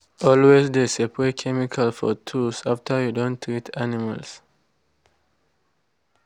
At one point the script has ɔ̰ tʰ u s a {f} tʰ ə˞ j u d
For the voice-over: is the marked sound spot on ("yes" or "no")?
yes